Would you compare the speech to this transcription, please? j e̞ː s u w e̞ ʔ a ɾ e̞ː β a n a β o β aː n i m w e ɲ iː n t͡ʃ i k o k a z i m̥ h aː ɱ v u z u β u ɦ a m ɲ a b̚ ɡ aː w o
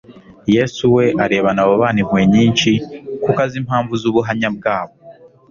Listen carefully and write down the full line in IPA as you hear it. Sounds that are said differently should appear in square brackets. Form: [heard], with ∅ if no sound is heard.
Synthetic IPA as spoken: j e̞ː s u w e̞ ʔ a ɾ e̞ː β a n a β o β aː n i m w e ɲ iː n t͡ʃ i k [u] k a z i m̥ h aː ɱ v u z u β u ɦ a m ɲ a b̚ ɡ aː [β] o